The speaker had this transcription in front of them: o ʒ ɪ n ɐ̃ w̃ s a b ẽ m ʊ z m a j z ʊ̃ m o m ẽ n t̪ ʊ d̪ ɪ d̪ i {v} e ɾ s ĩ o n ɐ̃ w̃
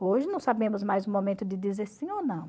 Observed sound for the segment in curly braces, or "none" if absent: z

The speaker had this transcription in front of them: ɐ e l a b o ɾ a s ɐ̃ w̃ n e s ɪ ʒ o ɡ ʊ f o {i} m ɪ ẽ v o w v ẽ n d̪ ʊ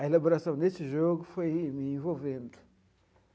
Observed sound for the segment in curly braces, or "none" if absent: j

